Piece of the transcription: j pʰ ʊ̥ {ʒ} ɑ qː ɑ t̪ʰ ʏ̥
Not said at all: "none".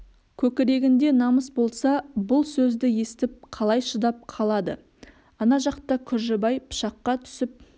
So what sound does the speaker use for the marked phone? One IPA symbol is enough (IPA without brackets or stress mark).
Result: ʃ